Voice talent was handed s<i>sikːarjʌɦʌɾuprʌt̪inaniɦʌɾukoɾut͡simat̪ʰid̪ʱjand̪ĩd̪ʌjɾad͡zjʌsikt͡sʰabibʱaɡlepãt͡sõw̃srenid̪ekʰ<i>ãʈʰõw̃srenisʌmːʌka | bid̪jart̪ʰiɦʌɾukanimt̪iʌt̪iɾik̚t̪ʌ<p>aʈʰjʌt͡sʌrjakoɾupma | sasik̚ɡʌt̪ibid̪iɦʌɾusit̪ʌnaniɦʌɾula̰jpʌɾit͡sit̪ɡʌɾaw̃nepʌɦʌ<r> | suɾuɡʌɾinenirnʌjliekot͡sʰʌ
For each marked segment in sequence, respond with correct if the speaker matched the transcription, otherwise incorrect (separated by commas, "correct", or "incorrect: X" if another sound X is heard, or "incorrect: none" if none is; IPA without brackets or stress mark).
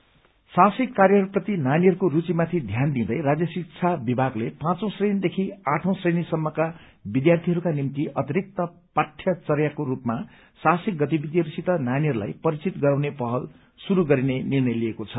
incorrect: a, correct, correct, incorrect: l